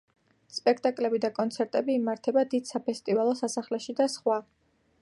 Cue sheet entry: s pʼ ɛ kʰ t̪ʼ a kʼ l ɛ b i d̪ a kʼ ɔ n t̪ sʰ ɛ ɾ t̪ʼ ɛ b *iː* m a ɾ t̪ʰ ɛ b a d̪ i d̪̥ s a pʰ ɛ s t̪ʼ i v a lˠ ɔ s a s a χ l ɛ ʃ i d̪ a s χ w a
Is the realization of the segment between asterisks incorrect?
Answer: no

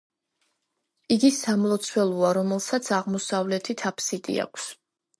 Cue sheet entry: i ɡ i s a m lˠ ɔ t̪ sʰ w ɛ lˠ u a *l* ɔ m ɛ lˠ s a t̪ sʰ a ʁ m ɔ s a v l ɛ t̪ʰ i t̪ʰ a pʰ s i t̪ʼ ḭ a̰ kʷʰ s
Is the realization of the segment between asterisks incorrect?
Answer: yes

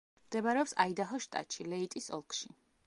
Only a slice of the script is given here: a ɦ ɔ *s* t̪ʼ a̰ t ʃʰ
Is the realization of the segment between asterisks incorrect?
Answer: yes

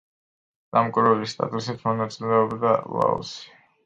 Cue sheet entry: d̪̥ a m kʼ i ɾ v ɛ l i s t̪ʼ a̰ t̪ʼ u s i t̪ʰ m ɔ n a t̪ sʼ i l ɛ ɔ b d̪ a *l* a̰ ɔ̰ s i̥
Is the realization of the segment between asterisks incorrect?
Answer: no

